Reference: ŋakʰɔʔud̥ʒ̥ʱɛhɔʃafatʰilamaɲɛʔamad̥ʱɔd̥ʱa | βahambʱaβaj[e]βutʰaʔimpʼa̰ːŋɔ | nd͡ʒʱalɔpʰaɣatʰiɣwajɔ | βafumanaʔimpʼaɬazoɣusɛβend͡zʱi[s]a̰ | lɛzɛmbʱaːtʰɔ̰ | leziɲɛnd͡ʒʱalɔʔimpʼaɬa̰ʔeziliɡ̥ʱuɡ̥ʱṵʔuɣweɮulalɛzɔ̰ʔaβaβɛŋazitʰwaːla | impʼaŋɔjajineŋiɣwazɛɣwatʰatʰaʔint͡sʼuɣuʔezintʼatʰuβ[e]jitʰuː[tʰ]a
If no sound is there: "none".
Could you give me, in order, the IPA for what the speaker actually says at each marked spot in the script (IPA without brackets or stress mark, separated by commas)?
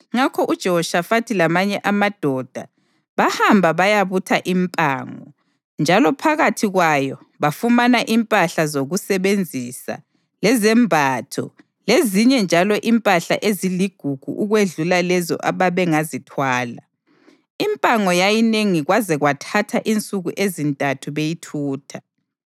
a, s, e, tʰ